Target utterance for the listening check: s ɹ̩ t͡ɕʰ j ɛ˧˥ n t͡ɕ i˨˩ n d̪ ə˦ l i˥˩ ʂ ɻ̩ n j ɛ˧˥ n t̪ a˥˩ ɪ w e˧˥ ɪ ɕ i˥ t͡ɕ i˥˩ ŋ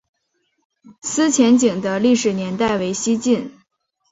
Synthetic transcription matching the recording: s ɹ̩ t͡ɕʰ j ɛ˧˥ n t͡ɕ i˨˩ ŋ d̪ ə˦ l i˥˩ ʂ ɻ̩ n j ɛ˧˥ n t̪ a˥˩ ɪ w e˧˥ ɪ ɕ i˥ t͡ɕ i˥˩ n